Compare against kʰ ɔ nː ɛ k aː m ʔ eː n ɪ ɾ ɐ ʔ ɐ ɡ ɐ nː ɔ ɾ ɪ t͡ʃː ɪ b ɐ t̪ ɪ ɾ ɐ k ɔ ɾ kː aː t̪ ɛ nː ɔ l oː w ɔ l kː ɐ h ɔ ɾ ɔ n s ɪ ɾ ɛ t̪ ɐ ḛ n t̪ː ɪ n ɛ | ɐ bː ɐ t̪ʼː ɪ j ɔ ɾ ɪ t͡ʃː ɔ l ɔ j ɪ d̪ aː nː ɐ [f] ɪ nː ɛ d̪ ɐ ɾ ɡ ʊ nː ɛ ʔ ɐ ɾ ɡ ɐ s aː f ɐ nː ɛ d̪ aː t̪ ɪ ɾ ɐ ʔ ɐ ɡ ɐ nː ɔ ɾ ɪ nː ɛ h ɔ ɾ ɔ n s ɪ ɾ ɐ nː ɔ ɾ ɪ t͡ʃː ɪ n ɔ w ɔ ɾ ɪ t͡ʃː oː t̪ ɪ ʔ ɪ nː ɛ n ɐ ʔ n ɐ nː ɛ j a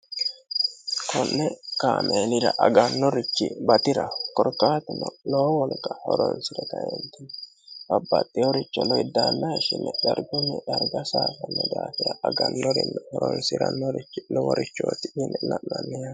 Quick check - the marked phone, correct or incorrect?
incorrect